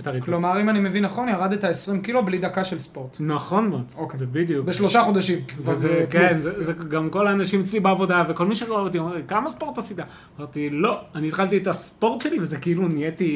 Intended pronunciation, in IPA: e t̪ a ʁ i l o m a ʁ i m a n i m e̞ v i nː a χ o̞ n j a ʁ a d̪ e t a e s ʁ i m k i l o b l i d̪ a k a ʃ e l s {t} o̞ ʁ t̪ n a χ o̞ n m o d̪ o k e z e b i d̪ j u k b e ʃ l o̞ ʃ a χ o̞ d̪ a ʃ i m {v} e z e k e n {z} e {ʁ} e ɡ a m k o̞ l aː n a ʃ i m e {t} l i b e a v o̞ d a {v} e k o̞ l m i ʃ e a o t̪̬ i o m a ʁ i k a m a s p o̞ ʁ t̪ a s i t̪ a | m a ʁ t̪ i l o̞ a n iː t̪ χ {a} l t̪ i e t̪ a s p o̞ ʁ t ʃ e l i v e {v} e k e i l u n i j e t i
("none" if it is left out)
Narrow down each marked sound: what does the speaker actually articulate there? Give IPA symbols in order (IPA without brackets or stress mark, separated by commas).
p, v, z, z, t͡s, v, a, z